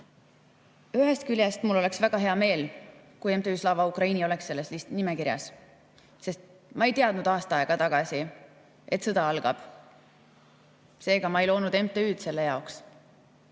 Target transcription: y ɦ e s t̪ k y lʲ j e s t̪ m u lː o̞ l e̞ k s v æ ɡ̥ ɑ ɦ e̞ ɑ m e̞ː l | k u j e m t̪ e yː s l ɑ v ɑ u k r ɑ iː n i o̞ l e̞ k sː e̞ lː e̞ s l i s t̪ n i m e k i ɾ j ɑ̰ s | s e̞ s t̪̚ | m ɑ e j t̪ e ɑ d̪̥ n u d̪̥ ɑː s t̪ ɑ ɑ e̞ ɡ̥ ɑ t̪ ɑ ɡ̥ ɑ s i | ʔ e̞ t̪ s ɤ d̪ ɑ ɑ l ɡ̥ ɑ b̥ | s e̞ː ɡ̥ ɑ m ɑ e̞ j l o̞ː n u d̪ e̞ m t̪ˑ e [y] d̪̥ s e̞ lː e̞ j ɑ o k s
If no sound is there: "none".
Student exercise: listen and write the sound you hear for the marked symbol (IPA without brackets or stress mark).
yː